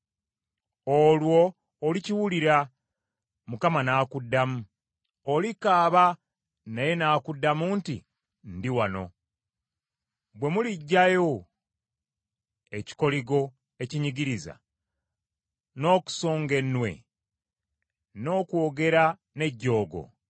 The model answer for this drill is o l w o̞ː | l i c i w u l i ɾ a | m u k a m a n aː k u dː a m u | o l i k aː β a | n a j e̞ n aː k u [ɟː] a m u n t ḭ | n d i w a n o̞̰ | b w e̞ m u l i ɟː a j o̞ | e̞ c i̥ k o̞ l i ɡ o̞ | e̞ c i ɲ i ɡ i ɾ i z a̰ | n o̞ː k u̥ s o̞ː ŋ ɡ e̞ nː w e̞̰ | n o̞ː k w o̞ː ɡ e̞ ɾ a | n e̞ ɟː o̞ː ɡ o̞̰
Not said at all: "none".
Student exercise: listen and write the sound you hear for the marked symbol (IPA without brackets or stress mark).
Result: dː